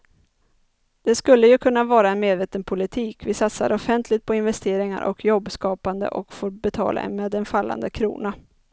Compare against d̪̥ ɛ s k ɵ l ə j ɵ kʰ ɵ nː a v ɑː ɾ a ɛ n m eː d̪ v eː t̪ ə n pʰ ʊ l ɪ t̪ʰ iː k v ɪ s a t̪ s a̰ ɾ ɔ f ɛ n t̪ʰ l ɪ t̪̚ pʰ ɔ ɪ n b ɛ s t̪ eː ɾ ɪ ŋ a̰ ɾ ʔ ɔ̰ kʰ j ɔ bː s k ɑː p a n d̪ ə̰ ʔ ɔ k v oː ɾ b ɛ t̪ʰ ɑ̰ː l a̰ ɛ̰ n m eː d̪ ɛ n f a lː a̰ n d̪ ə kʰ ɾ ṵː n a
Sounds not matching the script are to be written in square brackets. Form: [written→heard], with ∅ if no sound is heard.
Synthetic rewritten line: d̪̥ ɛ s k ɵ [l→lː] ə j ɵ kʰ ɵ nː a v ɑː ɾ a ɛ n m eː d̪ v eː t̪ ə n pʰ ʊ l ɪ t̪ʰ iː k v ɪ s a t̪ s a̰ ɾ ɔ f ɛ n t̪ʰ l ɪ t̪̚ pʰ ɔ ɪ n [b→v] ɛ s t̪ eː ɾ ɪ ŋ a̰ ɾ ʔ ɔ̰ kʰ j ɔ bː s k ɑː p a n d̪ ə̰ ʔ ɔ k [v→f] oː ɾ b ɛ t̪ʰ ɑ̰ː l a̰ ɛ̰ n m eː d̪ ɛ n f a lː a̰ n d̪ ə kʰ ɾ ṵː n a

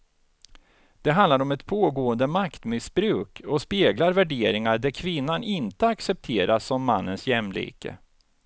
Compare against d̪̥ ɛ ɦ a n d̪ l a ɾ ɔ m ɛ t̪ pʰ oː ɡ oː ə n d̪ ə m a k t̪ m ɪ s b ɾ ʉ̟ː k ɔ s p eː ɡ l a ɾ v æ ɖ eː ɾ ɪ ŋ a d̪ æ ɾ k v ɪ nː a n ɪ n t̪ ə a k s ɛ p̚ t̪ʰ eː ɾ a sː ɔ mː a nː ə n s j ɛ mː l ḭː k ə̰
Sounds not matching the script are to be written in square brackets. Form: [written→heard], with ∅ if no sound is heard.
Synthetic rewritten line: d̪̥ ɛ ɦ a n d̪ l a ɾ ɔ m ɛ t̪ pʰ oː ɡ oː ə n d̪ ə m a k t̪ m ɪ s b ɾ ʉ̟ː k ɔ s p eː ɡ l a ɾ v æ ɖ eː ɾ ɪ ŋ a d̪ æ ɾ [k→kʰ] v ɪ nː a n ɪ n t̪ ə a k s ɛ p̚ t̪ʰ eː ɾ a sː ɔ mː a nː ə n s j ɛ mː l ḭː k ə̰

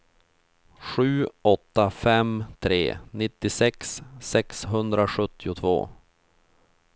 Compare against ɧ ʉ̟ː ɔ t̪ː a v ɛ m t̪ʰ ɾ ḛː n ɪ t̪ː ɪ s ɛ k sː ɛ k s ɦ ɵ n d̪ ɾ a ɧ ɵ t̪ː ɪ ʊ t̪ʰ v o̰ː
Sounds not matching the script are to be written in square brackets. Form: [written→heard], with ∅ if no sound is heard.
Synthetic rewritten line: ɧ ʉ̟ː ɔ t̪ː a [v→f] ɛ m t̪ʰ ɾ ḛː n ɪ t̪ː ɪ s ɛ k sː ɛ k s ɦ ɵ n d̪ ɾ a ɧ ɵ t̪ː ɪ ʊ t̪ʰ v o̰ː

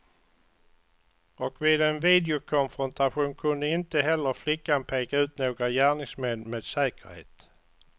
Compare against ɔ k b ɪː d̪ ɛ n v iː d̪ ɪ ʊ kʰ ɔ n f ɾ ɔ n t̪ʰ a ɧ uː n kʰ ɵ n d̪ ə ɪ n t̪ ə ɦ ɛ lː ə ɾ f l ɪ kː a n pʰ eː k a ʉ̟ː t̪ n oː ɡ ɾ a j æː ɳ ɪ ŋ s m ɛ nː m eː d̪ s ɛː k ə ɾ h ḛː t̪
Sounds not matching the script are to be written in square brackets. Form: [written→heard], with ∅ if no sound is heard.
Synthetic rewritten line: ɔ k [b→v] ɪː d̪ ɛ n v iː d̪ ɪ ʊ kʰ ɔ n f ɾ ɔ n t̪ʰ a ɧ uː n kʰ ɵ n d̪ ə ɪ n t̪ ə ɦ ɛ lː ə ɾ f l ɪ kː a n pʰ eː k a ʉ̟ː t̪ n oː ɡ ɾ a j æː ɳ ɪ ŋ s m ɛ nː m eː d̪ s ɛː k ə ɾ h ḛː t̪

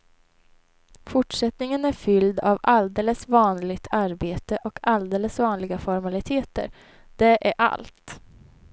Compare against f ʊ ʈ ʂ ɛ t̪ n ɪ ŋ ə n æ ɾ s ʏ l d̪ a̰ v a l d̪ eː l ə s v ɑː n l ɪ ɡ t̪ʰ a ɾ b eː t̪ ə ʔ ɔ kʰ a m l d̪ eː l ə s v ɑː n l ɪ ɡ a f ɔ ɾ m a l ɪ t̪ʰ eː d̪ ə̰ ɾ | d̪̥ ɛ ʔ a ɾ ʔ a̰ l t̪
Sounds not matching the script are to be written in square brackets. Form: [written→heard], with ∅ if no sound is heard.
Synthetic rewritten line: f ʊ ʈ ʂ ɛ t̪ n ɪ ŋ ə n æ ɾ [s→f] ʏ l d̪ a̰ v a l d̪ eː l ə s v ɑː n l ɪ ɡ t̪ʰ a ɾ b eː t̪ ə ʔ ɔ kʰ a [m→∅] l d̪ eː l ə s v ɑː n l ɪ ɡ a f ɔ ɾ m a l ɪ t̪ʰ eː [d̪→t̪] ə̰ ɾ | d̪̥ ɛ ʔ [a→æ] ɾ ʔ a̰ l t̪

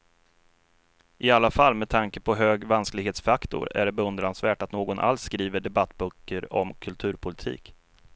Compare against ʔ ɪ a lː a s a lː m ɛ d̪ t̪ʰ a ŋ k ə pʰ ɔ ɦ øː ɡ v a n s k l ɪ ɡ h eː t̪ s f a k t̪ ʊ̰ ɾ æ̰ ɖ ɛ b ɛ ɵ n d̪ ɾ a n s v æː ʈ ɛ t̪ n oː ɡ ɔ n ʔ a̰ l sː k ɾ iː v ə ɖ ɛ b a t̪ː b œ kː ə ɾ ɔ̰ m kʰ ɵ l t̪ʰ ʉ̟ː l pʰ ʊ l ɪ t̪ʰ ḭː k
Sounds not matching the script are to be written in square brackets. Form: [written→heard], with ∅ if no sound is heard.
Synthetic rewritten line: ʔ ɪ a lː a [s→f] a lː m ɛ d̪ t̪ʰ a ŋ k ə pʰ ɔ ɦ øː ɡ v a n s k l ɪ ɡ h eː t̪ s f a k t̪ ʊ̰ ɾ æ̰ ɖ ɛ b ɛ ɵ n d̪ ɾ a n s v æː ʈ [ɛ→a] t̪ n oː ɡ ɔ n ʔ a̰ l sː k ɾ iː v ə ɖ ɛ b a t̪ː b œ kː ə ɾ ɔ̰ m kʰ ɵ l t̪ʰ ʉ̟ː [l→ɾ] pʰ ʊ l ɪ t̪ʰ ḭː k

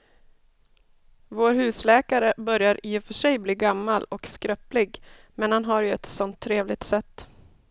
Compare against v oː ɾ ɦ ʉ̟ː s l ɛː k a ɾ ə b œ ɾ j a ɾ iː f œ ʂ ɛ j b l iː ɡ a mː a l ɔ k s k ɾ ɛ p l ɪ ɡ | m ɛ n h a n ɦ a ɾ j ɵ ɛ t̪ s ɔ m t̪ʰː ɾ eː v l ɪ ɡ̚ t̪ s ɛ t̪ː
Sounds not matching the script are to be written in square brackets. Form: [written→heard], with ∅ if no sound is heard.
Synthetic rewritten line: v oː ɾ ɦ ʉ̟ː s l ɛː k a ɾ ə b œ ɾ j a ɾ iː f œ ʂ ɛ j b l iː ɡ a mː a l ɔ k s k ɾ [ɛ→œ] p l ɪ ɡ | m ɛ n h a n ɦ a ɾ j ɵ ɛ t̪ s ɔ [m→n] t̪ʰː ɾ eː v l ɪ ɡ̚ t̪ s ɛ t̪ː

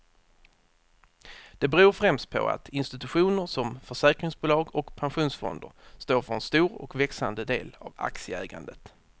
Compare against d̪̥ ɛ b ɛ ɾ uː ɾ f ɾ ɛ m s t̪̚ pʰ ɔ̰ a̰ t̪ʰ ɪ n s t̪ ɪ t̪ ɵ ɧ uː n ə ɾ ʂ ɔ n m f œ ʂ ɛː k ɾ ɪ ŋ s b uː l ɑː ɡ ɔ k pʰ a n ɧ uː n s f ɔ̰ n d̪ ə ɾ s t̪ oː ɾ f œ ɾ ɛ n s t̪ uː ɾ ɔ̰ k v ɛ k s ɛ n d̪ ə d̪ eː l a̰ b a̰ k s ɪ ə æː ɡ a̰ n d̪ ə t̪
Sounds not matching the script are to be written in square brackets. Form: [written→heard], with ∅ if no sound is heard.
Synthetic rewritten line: d̪̥ ɛ b ɛ ɾ uː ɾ f ɾ ɛ m s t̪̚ pʰ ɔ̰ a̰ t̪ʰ ɪ n s t̪ ɪ t̪ ɵ ɧ uː n ə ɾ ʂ ɔ [n→∅] m f œ ʂ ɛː k ɾ ɪ ŋ s b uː l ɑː ɡ ɔ k pʰ a n ɧ uː n s f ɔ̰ n d̪ ə ɾ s t̪ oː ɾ f œ ɾ ɛ n s t̪ uː ɾ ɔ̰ k v ɛ k s [ɛ→a] n d̪ ə d̪ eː l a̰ [b→v] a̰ k s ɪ ə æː ɡ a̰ n d̪ ə t̪

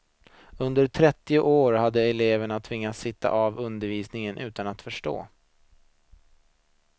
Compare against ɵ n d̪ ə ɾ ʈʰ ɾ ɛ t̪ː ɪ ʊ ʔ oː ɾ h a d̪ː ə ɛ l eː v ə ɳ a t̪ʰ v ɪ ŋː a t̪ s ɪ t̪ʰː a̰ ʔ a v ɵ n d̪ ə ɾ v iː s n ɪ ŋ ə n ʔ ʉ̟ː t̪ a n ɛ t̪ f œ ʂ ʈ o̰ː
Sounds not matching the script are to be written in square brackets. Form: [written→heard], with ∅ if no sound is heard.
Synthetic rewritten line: ɵ n d̪ ə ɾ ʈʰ ɾ ɛ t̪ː ɪ ʊ ʔ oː ɾ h a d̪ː ə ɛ l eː v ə ɳ a t̪ʰ v ɪ ŋː a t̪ s ɪ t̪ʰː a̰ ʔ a v ɵ n d̪ ə ɾ v iː s n ɪ ŋ ə n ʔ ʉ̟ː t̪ a n [ɛ→a] t̪ f œ ʂ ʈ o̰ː

